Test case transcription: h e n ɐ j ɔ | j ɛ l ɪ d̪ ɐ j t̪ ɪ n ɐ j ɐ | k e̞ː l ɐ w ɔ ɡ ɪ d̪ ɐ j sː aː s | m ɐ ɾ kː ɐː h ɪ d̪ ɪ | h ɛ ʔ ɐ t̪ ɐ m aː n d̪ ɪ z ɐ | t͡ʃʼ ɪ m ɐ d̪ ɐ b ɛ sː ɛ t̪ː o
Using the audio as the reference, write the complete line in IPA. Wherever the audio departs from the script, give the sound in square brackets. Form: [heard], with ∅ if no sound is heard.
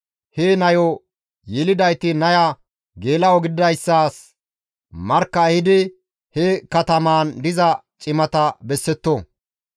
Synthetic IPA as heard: h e n ɐ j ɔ | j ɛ l ɪ d̪ ɐ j t̪ ɪ n ɐ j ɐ | [ɡ] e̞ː l ɐ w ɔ ɡ ɪ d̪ ɐ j sː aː s | m ɐ ɾ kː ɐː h ɪ d̪ ɪ | h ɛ [k] ɐ t̪ ɐ m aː n d̪ ɪ z ɐ | t͡ʃʼ ɪ m ɐ [t̪] ɐ b ɛ sː ɛ t̪ː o